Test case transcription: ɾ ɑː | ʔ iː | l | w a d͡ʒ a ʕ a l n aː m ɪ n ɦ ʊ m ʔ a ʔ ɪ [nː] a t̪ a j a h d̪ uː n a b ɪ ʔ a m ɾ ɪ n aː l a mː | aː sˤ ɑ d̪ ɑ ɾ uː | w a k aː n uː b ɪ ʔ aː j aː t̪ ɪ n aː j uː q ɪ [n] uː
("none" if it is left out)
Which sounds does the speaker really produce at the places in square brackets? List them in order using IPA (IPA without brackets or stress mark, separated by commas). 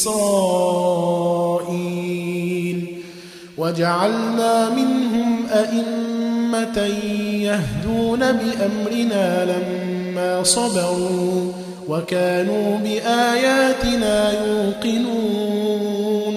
mː, n